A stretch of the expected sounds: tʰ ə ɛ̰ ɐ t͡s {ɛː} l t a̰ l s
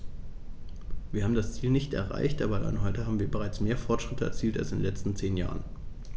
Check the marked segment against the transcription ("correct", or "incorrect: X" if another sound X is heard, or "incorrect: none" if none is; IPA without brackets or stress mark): incorrect: iː